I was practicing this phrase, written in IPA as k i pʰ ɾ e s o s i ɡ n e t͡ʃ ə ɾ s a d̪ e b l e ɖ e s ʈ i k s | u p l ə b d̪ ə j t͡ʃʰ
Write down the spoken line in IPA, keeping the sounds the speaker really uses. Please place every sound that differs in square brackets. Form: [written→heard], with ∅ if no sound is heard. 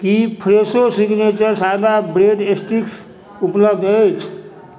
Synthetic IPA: k i pʰ ɾ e s o s i ɡ n e t͡ʃ ə ɾ s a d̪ [e→a] b [l→ɾ] e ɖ e s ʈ i k s | u p l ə b d̪ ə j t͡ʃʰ